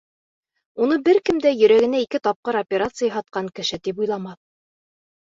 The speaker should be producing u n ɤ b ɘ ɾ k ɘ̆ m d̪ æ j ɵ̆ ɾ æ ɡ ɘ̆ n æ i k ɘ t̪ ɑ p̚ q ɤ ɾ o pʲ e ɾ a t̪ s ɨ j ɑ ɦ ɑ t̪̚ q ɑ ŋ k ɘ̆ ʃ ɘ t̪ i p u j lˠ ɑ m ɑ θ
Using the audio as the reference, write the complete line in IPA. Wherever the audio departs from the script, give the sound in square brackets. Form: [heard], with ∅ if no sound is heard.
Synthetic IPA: u n ɤ b ɘ ɾ k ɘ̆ m d̪ æ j ɵ̆ ɾ æ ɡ ɘ̆ n æ i k ɘ t̪ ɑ p̚ q ɤ ɾ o pʲ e ɾ a t̪ s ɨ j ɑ ɦ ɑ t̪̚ q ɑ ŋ k ɘ̆ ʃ ɘ t̪ i p u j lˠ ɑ m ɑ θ